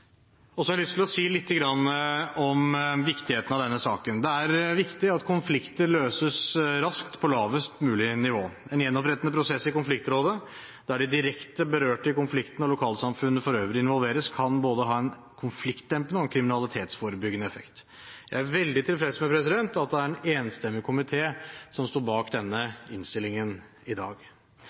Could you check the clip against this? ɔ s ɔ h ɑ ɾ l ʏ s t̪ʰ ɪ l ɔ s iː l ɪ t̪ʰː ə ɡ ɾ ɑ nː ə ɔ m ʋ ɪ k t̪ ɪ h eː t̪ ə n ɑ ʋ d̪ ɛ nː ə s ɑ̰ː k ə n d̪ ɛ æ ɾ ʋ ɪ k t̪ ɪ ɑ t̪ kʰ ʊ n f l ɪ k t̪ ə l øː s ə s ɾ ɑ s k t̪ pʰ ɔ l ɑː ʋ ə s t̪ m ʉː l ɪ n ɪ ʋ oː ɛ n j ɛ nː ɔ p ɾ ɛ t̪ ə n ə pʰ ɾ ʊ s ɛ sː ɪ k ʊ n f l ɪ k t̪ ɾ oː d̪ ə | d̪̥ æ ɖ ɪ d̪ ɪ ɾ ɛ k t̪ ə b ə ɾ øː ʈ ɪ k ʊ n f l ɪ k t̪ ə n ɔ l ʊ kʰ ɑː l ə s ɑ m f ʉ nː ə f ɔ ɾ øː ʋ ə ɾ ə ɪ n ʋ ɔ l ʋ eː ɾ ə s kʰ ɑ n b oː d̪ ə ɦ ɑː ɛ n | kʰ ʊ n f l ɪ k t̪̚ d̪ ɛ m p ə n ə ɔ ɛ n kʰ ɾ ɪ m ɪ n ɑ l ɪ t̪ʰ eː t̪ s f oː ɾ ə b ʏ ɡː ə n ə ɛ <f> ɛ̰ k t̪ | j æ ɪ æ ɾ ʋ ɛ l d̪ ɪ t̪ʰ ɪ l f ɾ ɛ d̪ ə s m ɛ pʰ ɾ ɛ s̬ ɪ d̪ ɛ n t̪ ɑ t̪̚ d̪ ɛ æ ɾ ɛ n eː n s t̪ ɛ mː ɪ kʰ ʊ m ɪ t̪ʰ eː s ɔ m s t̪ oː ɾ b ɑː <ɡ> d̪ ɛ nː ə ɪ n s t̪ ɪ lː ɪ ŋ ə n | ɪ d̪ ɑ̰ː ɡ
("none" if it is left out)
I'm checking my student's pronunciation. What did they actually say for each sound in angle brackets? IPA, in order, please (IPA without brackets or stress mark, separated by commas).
f, k